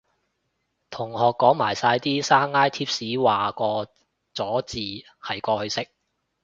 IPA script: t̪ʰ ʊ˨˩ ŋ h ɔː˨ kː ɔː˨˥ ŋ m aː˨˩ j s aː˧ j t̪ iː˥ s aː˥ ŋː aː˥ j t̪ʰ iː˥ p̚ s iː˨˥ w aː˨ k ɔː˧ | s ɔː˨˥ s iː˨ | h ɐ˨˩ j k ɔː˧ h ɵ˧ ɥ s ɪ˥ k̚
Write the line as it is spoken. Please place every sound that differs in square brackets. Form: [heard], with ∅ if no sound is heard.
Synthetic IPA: t̪ʰ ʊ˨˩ ŋ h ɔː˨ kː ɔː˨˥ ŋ m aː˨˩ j s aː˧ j t̪ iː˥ s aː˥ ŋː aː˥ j t̪ʰ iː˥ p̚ s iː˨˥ w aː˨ k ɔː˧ | [t͡s] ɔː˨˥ [t͡s] iː˨ | h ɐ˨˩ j k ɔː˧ h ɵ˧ ɥ s ɪ˥ k̚